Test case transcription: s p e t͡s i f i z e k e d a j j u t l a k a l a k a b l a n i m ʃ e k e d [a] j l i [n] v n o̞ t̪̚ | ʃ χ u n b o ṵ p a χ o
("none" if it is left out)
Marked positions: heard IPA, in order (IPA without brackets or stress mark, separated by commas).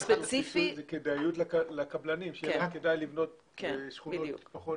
a, none